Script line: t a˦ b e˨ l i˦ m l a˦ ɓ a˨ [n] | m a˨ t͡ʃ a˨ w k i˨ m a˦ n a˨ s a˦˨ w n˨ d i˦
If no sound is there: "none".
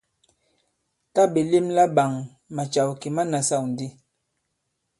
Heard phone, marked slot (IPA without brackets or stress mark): ŋ